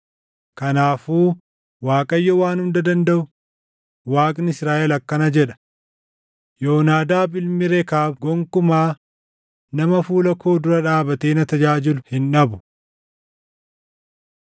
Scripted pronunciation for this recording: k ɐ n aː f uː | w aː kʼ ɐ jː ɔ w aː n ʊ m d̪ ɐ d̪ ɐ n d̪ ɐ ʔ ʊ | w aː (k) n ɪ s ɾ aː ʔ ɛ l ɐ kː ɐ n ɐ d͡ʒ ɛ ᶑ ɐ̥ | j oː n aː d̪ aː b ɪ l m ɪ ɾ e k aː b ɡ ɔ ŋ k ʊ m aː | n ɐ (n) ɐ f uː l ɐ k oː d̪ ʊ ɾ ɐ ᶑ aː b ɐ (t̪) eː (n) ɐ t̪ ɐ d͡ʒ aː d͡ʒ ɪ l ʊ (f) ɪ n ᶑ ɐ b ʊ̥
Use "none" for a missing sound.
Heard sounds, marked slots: kʼ, m, t̪, n, h

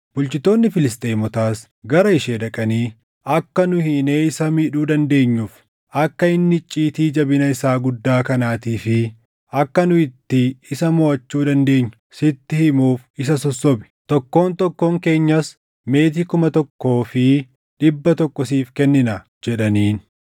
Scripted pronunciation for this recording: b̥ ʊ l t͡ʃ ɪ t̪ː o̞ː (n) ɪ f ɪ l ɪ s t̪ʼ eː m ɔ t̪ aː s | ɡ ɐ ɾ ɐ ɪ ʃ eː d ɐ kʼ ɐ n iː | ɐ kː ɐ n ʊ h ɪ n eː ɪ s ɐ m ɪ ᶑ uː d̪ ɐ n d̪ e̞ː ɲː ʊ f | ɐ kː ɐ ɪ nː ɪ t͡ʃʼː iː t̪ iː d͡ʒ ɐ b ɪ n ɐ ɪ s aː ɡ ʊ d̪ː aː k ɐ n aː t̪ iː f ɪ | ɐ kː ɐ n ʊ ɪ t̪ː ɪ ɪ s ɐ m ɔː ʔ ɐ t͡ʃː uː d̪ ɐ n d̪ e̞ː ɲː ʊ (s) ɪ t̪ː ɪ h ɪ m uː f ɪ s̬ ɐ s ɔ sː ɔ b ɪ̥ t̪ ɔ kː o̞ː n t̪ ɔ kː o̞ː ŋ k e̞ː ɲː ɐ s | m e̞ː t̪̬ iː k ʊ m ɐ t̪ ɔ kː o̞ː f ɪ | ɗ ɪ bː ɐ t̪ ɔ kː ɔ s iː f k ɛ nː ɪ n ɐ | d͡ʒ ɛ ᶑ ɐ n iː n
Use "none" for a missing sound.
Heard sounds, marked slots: nː, s

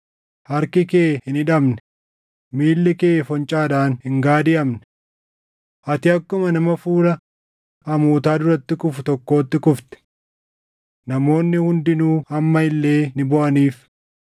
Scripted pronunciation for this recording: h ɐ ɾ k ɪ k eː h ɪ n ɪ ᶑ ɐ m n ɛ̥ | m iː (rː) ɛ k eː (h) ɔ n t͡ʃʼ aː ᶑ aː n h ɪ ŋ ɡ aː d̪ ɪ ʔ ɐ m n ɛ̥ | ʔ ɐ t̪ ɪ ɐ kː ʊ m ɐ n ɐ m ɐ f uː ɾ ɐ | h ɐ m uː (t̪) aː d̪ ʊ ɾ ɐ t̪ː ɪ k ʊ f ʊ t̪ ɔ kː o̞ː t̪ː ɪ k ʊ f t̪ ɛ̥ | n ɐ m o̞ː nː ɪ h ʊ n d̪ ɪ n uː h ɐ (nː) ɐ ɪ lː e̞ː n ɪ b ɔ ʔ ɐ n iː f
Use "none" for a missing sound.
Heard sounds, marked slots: lː, f, t̪, mː

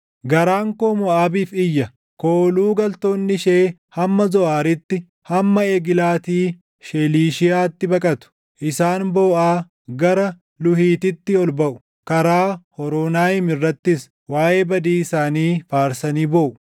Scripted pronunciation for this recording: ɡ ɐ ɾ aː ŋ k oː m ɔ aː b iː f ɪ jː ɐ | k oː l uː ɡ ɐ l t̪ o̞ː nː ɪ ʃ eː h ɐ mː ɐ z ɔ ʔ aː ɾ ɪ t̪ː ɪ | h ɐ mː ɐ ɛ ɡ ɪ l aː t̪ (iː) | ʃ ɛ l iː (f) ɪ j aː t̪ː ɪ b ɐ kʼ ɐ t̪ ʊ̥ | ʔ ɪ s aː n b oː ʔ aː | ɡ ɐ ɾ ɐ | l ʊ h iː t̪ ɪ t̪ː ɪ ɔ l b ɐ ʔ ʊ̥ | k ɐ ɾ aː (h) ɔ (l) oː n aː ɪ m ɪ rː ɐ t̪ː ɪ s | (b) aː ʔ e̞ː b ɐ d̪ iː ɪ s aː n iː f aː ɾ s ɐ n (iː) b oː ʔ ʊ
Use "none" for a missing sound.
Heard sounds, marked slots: iː, ʃ, h, ɾ, w, iː

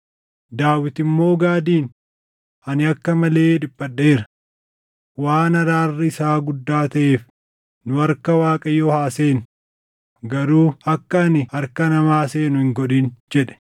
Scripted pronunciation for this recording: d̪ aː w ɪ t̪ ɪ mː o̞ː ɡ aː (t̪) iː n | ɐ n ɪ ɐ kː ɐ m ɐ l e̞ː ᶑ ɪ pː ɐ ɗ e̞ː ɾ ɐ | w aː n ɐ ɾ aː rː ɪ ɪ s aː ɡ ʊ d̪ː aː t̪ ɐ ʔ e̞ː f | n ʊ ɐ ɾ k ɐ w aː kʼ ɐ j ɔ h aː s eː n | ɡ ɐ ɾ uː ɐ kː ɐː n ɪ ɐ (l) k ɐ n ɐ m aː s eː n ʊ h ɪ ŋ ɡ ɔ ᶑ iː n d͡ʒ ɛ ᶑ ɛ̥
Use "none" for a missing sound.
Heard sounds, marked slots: d̪, ɾ

